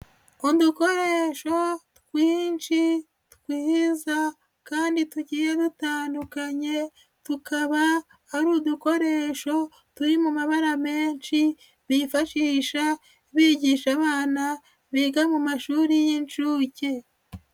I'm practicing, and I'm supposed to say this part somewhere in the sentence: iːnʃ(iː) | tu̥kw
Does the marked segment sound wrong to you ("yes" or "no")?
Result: yes